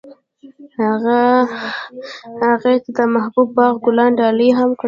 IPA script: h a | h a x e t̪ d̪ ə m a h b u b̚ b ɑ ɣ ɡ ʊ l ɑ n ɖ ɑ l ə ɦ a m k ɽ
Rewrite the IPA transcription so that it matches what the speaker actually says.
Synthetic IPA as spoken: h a | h a ɣ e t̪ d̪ ə m a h b u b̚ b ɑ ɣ ɡ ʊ l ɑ n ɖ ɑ l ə ɦ a m k ɽ